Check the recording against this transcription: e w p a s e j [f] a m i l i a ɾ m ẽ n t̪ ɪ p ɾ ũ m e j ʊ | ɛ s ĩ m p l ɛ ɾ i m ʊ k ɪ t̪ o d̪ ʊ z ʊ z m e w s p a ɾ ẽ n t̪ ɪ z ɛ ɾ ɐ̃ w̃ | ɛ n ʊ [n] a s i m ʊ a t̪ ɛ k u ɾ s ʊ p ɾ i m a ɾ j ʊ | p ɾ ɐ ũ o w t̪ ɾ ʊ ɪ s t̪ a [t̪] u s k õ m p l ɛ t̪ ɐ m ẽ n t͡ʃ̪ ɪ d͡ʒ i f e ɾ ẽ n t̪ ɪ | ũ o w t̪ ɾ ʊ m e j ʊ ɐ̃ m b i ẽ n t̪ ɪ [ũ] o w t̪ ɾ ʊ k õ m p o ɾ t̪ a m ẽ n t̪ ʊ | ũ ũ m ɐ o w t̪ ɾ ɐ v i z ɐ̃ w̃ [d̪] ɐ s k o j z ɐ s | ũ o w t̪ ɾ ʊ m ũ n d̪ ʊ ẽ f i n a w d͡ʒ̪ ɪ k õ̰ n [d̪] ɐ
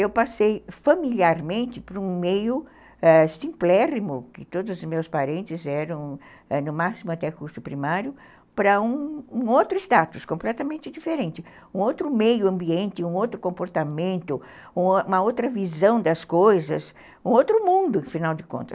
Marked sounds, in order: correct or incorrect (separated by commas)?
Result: correct, incorrect, correct, correct, correct, incorrect